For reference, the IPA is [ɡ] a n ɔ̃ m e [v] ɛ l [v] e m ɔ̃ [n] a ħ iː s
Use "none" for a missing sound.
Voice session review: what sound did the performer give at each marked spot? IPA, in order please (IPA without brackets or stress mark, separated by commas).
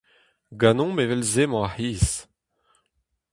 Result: ɡ, v, z, none